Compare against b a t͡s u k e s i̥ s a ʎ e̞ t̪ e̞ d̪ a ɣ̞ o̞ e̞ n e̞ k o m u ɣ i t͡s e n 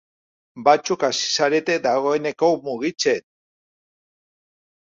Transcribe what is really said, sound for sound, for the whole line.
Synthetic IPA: b a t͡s u k a s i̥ s a ɾ e̞ t̪ e̞ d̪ a ɣ̞ o̞ e̞ n e̞ k o m u ɣ i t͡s e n